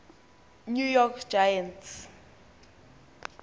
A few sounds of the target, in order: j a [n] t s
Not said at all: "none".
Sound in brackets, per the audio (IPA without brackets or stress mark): n